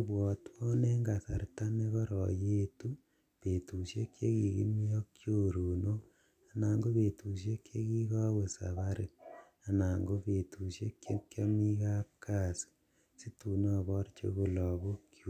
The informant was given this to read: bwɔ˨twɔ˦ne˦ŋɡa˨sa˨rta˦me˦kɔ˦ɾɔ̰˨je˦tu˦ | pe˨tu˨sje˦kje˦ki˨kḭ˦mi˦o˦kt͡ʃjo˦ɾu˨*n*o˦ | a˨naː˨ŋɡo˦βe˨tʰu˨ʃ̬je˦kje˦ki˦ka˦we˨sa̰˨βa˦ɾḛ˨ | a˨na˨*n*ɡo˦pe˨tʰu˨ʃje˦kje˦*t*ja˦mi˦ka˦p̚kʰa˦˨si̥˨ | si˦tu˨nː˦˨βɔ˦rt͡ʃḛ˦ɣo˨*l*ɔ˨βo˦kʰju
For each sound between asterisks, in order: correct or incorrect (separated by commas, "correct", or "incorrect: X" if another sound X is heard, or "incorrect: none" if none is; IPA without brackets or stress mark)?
correct, incorrect: ŋ, incorrect: k, correct